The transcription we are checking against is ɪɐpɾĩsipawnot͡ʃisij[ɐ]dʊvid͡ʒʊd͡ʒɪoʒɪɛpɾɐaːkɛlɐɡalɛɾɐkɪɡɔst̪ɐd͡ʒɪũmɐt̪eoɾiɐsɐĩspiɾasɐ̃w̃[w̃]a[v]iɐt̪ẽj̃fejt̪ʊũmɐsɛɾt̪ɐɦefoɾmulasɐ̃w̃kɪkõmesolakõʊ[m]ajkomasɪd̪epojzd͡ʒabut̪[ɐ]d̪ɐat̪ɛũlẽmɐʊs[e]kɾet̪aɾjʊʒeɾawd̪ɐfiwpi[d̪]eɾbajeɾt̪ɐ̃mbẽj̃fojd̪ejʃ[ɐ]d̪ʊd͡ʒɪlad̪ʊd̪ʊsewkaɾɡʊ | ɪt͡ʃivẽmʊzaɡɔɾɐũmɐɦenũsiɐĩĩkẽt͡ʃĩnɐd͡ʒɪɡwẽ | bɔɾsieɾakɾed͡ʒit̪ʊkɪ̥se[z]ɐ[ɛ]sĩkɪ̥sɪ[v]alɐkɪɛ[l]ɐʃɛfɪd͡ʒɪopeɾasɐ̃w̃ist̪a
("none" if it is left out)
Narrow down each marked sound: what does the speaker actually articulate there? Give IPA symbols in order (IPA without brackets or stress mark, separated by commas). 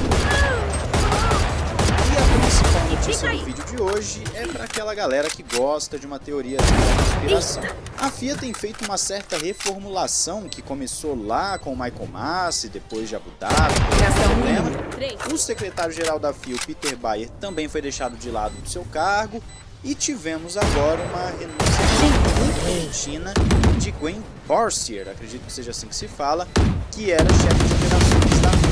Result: ɐ, w̃, f, m, a, e, t̪, a, ʒ, a, f, ɾ